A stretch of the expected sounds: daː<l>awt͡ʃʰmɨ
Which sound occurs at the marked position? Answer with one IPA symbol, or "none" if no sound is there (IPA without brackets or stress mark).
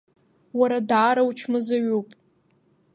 ɾ